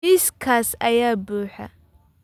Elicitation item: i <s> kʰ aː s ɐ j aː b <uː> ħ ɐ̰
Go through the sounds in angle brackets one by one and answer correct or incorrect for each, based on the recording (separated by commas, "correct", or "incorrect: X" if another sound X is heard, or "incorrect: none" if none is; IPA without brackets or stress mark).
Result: correct, correct